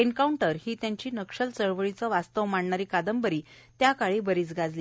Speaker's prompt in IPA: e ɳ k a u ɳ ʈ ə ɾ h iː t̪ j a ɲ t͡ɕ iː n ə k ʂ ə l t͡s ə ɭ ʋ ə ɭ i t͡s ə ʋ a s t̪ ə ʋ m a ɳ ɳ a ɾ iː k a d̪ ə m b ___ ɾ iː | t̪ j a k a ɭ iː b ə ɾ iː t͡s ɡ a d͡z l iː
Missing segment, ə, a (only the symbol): ə